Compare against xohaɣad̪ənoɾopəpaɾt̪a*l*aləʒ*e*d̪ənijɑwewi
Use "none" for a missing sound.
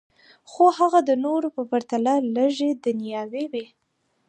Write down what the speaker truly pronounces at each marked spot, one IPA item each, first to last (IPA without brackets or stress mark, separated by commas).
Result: l, e